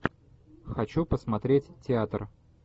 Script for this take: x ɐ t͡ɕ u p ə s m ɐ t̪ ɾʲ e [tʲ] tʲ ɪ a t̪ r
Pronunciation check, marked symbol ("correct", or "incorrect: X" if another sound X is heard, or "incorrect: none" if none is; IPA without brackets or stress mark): correct